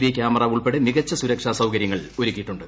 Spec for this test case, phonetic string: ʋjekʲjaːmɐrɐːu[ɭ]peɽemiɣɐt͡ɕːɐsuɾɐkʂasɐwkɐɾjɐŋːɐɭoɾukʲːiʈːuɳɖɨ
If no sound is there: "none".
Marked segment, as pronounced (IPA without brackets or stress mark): ɭ